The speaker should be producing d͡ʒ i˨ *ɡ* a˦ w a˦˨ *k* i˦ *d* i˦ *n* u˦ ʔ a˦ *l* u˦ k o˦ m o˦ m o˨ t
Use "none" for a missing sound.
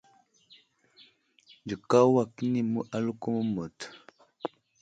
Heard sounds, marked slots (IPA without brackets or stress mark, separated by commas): k, k, n, m, l